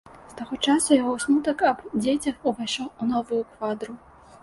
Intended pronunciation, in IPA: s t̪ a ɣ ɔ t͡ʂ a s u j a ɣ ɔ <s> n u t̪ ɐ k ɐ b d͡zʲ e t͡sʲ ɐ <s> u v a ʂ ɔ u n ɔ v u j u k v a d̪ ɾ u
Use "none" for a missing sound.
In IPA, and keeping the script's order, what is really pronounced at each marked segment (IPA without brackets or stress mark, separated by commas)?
s, x